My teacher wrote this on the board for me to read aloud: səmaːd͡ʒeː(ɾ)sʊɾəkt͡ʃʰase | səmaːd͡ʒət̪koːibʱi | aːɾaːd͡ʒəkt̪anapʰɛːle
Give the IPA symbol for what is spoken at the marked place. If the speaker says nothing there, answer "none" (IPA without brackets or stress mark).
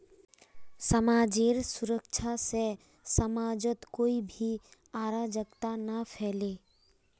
ɾ